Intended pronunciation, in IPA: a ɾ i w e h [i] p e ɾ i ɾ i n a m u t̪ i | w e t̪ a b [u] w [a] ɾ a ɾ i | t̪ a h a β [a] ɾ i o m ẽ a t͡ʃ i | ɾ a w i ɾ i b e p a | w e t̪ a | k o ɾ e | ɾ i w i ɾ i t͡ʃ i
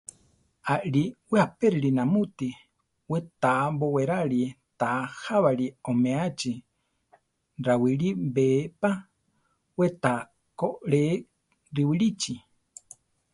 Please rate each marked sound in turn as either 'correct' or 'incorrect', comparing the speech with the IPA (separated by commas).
incorrect, incorrect, incorrect, correct